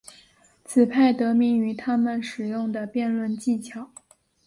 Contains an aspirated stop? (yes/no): yes